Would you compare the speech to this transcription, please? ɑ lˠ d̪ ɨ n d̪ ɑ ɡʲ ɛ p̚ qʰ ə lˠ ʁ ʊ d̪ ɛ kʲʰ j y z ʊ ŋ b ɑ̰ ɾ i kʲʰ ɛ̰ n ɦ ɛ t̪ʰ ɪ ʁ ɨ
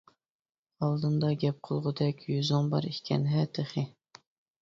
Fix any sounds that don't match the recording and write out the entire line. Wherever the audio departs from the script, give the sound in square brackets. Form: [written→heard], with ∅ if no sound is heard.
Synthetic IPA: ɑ lˠ d̪ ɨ n d̪ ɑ ɡʲ ɛ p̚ qʰ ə lˠ ʁ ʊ d̪ ɛ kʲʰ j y z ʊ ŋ b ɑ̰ ɾ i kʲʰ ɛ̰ n ɦ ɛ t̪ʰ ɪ [ʁ→χ] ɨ